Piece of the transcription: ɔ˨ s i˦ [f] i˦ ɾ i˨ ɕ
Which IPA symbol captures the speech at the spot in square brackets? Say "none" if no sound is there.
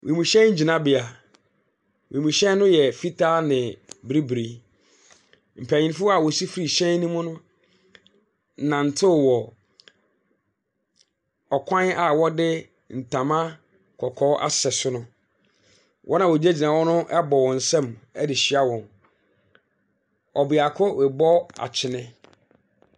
f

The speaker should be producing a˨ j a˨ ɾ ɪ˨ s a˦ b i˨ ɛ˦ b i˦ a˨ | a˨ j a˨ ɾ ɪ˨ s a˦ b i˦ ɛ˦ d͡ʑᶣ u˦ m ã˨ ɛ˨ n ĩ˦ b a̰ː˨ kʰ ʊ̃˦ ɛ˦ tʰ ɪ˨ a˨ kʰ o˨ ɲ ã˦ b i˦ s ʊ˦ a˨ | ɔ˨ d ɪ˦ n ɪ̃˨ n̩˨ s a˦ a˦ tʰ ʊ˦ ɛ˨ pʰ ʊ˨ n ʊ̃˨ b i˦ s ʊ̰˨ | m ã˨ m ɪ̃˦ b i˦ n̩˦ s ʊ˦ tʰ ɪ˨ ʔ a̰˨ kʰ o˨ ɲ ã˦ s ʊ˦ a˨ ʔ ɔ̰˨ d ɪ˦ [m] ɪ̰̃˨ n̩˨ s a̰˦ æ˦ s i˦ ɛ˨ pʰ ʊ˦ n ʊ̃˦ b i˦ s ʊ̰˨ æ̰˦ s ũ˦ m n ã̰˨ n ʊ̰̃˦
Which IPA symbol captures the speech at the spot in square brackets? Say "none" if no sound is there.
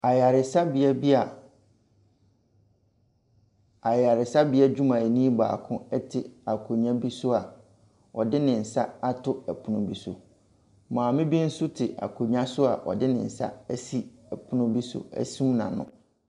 n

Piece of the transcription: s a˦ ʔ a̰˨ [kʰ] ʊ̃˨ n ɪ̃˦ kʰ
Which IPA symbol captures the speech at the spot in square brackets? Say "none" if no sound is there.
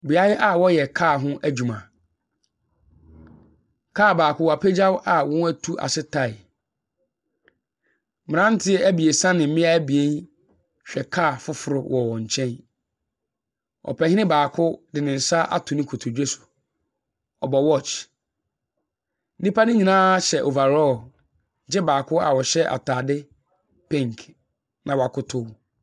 tʰ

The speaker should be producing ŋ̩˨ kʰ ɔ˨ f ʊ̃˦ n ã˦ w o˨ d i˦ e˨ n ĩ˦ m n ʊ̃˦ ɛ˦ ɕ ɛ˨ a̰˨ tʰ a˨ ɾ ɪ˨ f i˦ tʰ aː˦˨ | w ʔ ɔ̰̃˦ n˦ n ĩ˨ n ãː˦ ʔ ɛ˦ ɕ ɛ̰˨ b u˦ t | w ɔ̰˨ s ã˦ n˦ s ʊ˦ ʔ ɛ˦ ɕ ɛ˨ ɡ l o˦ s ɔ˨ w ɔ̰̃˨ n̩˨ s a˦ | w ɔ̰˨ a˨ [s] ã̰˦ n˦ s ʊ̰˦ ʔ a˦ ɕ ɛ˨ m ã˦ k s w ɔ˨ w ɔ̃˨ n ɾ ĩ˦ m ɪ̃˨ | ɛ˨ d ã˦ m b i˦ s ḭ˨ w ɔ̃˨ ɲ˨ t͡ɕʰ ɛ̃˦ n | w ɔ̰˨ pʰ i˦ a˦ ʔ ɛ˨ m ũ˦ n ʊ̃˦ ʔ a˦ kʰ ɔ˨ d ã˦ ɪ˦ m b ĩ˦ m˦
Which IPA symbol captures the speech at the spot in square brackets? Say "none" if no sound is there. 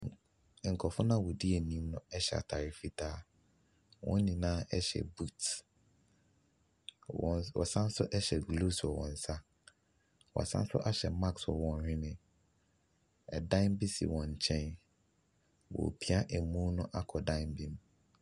s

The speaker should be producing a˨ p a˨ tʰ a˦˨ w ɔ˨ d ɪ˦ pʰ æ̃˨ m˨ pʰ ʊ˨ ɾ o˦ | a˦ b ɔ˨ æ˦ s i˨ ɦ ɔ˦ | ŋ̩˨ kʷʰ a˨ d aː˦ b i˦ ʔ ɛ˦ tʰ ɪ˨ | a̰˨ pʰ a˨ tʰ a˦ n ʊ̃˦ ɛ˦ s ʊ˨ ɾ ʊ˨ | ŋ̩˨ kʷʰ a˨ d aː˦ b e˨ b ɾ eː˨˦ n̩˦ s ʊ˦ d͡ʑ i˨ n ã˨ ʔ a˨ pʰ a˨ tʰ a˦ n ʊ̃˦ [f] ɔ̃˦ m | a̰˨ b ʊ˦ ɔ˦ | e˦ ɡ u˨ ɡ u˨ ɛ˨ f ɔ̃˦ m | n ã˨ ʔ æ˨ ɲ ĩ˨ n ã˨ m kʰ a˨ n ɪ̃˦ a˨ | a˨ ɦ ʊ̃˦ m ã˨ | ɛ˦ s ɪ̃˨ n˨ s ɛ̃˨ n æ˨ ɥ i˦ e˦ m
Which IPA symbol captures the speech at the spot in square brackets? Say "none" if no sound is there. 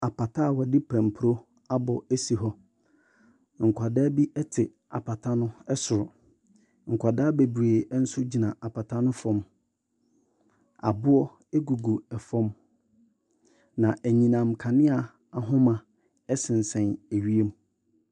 f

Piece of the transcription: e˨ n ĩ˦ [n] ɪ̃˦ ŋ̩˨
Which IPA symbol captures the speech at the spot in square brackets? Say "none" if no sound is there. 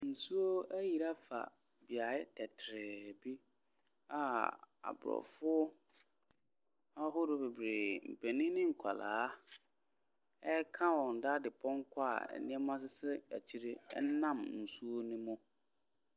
n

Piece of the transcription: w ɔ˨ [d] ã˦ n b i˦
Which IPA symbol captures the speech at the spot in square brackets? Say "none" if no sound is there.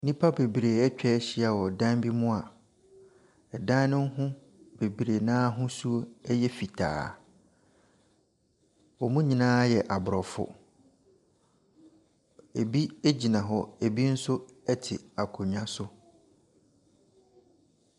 d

